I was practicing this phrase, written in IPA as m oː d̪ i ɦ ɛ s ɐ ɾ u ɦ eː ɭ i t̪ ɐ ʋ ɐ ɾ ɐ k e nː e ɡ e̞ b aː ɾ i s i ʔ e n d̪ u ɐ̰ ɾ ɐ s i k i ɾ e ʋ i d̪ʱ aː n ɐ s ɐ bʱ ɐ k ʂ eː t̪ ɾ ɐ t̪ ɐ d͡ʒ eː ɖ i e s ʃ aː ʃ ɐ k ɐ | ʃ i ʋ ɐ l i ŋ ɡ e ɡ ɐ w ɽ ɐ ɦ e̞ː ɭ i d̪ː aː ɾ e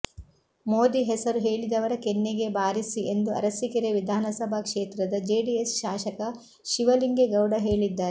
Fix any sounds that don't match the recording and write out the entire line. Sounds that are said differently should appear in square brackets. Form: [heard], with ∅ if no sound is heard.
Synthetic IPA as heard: m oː d̪ i ɦ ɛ s ɐ ɾ u ɦ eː ɭ i [d̪] ɐ ʋ ɐ ɾ ɐ k e nː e ɡ e̞ b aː ɾ i s i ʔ e n d̪ u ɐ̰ ɾ ɐ s i k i ɾ e ʋ i d̪ʱ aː n ɐ s ɐ bʱ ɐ k ʂ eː t̪ ɾ ɐ [d̪] ɐ d͡ʒ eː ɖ i e s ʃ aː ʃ ɐ k ɐ | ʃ i ʋ ɐ l i ŋ ɡ e ɡ ɐ w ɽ ɐ ɦ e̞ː ɭ i d̪ː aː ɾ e